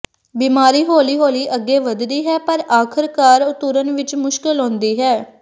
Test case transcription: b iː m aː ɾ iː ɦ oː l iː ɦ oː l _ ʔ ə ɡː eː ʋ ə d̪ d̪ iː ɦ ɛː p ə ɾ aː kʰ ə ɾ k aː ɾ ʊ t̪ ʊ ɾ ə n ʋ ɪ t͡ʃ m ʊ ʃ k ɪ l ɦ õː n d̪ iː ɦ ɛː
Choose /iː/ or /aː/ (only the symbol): iː